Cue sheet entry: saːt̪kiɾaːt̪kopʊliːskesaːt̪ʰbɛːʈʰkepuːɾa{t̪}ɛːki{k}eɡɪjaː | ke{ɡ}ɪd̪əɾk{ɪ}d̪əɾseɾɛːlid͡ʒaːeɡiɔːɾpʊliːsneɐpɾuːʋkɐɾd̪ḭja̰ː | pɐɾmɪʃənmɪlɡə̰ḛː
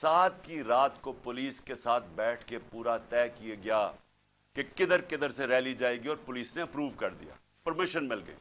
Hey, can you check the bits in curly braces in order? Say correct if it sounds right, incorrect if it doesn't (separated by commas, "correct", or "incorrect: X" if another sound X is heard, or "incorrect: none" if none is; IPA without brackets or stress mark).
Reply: correct, incorrect: none, incorrect: k, correct